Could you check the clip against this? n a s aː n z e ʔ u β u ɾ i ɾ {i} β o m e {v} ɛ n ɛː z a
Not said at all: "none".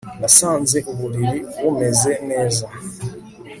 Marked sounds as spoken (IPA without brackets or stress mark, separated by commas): i, z